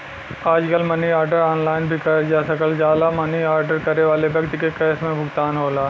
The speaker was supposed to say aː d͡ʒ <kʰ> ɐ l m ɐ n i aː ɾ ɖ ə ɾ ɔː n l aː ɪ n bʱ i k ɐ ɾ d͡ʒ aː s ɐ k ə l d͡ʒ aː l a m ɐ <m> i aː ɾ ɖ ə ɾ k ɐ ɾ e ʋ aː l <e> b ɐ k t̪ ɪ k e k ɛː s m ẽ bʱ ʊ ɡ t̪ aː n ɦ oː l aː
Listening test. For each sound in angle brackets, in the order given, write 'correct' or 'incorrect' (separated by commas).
incorrect, incorrect, correct